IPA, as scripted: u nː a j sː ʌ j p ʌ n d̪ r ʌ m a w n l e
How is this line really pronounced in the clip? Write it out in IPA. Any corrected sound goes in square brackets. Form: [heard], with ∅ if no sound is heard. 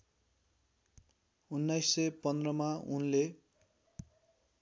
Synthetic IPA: u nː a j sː ʌ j p ʌ n d̪ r ʌ m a [u] n l e